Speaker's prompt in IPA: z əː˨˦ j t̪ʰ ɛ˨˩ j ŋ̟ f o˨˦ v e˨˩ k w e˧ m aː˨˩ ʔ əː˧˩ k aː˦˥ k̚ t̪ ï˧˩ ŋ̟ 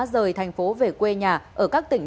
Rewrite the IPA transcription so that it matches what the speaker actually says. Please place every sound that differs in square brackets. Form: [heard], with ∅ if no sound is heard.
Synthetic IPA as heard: z [əː˨˩] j t̪ʰ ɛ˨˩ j ŋ̟ f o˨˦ v e˨˩ k w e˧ [ɲ] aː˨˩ ʔ əː˧˩ k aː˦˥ k̚ t̪ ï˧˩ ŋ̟